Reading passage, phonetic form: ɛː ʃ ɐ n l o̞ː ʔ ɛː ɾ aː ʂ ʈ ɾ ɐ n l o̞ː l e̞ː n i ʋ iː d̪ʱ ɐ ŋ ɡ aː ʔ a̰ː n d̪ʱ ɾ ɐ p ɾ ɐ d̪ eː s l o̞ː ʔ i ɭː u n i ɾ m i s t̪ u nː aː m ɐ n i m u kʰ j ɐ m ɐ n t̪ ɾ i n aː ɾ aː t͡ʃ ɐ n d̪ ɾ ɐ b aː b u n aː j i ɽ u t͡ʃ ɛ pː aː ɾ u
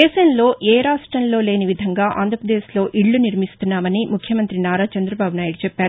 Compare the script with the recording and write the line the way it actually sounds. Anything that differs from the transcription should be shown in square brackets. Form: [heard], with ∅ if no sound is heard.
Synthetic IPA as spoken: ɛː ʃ ɐ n l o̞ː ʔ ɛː ɾ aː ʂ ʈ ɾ ɐ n l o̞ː l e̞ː n i ʋ [i] d̪ʱ ɐ ŋ ɡ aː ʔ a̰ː n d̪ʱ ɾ ɐ p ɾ ɐ d̪ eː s l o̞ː ʔ i ɭː u n i ɾ m i s t̪ u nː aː m ɐ n i m u kʰ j ɐ m ɐ n t̪ ɾ i n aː ɾ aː t͡ʃ ɐ n d̪ ɾ ɐ b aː b u n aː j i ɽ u t͡ʃ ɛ pː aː ɾ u